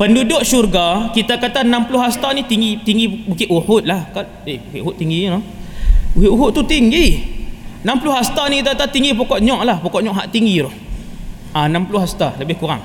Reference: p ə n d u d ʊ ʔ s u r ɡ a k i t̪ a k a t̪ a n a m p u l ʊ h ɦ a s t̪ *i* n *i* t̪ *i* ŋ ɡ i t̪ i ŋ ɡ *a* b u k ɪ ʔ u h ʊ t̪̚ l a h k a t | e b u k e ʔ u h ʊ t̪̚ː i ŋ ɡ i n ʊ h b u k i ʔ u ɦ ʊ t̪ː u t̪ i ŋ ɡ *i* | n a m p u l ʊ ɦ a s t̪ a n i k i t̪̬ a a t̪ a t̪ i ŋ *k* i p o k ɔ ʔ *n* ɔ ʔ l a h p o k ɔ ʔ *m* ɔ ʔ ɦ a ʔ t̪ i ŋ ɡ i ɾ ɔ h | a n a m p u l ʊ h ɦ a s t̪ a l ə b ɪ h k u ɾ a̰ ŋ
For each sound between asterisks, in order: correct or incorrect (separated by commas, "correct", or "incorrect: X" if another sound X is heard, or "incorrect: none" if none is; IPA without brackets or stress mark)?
incorrect: a, correct, correct, incorrect: i, correct, incorrect: ɡ, incorrect: ɲ, incorrect: ɲ